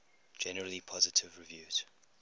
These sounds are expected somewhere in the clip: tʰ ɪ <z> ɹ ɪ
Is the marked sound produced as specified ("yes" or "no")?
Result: no